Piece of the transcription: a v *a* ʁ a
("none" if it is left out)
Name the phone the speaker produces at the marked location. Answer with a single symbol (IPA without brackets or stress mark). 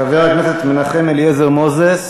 e